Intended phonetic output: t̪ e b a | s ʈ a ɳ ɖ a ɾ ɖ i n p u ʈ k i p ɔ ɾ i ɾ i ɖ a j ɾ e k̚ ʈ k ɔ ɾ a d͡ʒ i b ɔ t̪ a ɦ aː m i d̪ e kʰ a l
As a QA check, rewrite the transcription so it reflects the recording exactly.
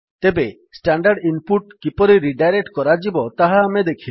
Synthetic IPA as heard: t̪ e b e | s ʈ a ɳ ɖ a ɾ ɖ i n p u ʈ k i p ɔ ɾ i ɾ i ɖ a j ɾ e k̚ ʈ k ɔ ɾ a d͡ʒ i b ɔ t̪ a ɦ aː m e d̪ e kʰ i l